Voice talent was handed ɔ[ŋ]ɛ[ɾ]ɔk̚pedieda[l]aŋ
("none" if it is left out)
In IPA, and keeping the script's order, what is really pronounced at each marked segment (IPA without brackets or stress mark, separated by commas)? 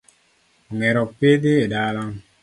ŋ, ɾ, l